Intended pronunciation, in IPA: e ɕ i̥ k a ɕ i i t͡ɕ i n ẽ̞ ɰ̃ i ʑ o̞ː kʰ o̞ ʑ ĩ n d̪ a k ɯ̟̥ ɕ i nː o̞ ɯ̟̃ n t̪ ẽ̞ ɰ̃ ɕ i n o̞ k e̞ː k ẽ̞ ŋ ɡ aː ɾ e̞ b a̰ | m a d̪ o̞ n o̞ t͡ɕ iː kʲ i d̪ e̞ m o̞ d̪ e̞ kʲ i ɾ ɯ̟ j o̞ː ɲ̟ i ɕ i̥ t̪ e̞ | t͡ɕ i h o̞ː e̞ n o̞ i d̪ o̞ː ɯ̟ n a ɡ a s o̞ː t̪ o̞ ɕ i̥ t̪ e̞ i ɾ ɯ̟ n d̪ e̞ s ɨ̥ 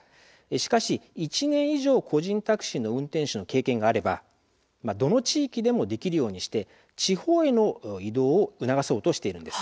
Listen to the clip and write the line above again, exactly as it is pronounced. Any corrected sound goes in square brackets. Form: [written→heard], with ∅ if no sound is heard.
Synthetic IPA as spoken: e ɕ i̥ k a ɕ i i t͡ɕ i n ẽ̞ ɰ̃ i ʑ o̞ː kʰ o̞ ʑ ĩ n [d̪→t̪] a k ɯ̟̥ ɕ i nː o̞ ɯ̟̃ n t̪ ẽ̞ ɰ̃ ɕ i n o̞ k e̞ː k ẽ̞ ŋ ɡ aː ɾ e̞ b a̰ | m a d̪ o̞ n o̞ t͡ɕ iː kʲ i d̪ e̞ m o̞ d̪ e̞ kʲ i ɾ ɯ̟ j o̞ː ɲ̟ i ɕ i̥ t̪ e̞ | t͡ɕ i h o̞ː e̞ n o̞ i d̪ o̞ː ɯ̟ n a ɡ a s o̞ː t̪ o̞ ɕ i̥ t̪ e̞ i ɾ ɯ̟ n d̪ e̞ s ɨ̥